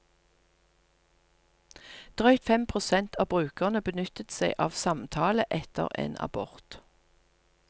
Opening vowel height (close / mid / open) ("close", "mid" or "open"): mid